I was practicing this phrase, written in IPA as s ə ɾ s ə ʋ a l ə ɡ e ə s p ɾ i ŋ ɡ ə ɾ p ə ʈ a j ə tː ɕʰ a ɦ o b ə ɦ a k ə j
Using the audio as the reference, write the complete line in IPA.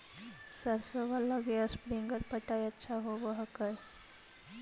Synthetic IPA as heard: s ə ɾ s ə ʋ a l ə ɡ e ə s p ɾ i ŋ ɡ ə ɾ p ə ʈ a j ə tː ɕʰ a ɦ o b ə ɦ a k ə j